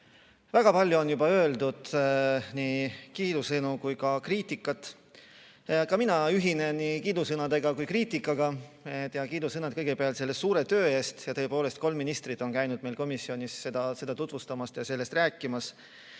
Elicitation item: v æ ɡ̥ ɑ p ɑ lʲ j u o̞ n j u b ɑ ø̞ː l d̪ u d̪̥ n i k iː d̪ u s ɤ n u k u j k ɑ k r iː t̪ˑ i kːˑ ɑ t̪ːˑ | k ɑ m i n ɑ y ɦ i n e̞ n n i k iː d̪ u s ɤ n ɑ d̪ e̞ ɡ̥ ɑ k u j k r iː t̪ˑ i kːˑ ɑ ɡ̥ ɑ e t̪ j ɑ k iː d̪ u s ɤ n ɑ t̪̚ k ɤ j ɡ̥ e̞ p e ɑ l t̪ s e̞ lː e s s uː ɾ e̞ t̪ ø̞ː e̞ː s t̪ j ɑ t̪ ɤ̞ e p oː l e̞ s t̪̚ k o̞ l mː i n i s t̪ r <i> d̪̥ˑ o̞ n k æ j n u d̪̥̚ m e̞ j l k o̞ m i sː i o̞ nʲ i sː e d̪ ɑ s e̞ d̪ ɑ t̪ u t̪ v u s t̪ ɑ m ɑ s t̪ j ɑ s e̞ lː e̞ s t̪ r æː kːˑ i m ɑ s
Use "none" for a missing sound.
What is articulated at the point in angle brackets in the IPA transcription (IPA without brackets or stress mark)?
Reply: i